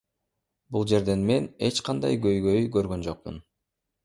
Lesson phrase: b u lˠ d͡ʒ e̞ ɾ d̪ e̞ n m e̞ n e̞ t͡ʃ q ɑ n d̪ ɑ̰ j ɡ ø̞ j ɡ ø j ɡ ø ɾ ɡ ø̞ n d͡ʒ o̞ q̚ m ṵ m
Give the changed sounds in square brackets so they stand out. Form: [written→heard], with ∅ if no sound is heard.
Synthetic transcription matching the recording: b u lˠ d͡ʒ e̞ ɾ d̪ e̞ n m e̞ n e̞ t͡ʃ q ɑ n d̪ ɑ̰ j ɡ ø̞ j ɡ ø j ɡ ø ɾ ɡ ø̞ n d͡ʒ o̞ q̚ m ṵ [m→n]